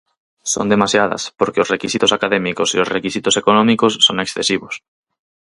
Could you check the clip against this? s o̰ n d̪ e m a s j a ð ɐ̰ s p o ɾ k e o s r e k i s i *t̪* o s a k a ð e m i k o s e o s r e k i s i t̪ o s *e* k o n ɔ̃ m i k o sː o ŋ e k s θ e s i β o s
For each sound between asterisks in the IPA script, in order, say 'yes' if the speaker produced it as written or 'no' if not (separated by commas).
yes, yes